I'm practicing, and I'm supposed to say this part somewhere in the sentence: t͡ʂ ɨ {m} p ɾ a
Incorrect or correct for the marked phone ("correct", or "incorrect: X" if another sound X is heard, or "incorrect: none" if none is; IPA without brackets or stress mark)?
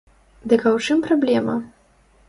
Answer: correct